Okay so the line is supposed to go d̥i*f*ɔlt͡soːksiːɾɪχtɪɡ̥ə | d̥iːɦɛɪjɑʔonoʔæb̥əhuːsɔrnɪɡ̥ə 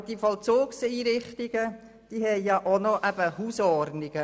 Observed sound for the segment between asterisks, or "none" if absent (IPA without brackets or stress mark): f